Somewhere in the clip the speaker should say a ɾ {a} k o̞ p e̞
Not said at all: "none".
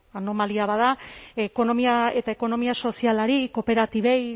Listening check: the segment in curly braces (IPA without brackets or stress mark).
i